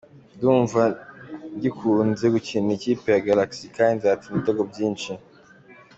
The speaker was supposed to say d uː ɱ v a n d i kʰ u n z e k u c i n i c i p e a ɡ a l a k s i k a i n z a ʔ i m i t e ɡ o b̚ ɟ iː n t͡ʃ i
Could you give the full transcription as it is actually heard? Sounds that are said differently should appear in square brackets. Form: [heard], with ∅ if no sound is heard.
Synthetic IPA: d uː ɱ v a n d i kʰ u n z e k u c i n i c i p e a ɡ a l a k s i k a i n z a [t] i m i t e ɡ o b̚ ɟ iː n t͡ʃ i

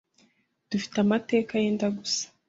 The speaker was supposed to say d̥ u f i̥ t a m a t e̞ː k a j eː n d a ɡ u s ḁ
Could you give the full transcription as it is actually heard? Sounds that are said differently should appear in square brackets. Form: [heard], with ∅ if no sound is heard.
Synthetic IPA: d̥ u f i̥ t a m a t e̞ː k a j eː n d a ɡ u s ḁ

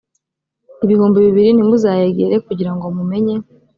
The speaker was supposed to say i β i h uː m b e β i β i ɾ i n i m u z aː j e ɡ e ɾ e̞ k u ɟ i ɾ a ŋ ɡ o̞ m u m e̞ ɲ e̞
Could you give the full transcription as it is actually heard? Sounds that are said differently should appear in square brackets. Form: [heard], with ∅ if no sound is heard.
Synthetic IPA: i β i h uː m b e β i β i ɾ i n i m u z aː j e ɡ e ɾ e̞ k u ɟ i ɾ a ŋ ɡ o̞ m u m e̞ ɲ e̞

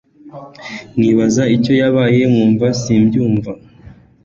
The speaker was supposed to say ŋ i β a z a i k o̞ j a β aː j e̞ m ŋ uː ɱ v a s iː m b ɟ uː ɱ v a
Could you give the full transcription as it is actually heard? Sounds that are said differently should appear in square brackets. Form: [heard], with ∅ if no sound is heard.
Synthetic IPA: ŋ i β a z a i [c] o̞ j a β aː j e̞ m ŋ uː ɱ v a s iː m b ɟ uː ɱ v a

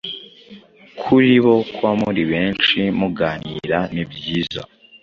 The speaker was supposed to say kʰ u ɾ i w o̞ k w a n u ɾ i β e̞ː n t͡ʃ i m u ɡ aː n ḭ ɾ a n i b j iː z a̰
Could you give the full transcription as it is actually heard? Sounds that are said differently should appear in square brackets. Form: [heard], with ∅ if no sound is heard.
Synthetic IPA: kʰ u ɾ i [β] o̞ k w a [m] u ɾ i β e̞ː n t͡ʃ i m u ɡ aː n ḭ ɾ a n i b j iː z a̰

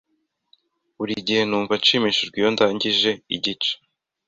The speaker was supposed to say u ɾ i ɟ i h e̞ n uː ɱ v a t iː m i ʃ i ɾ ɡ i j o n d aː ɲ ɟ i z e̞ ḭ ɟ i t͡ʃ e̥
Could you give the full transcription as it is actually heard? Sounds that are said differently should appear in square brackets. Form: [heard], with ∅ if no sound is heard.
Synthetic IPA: u ɾ i ɟ i h e̞ n uː ɱ v a [t͡ʃ] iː m i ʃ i ɾ ɡ i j o n d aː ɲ ɟ i [ʒ] e̞ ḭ ɟ i t͡ʃ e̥

